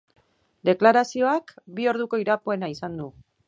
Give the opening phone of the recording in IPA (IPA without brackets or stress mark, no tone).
d̪